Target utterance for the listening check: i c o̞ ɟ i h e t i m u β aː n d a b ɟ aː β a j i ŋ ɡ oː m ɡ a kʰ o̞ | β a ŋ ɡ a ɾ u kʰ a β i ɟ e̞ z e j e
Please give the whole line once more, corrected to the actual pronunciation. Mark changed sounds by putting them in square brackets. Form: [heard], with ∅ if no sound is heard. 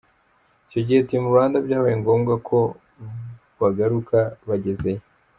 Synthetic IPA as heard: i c o̞ ɟ i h e t i m u β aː n d a b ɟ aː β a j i ŋ ɡ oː m ɡ a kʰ o̞ | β a [∅] ɡ a ɾ u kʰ a β [a] ɟ e̞ z e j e